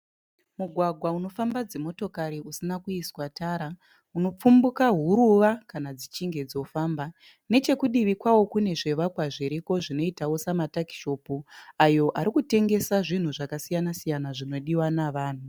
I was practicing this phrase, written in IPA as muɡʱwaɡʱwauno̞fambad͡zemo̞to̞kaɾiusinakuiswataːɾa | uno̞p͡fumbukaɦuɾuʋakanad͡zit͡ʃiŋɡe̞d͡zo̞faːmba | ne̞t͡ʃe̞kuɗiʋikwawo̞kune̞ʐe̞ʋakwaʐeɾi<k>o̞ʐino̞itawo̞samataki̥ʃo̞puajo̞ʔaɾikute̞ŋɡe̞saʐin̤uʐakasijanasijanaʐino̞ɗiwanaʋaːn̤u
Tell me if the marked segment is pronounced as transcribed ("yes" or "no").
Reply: yes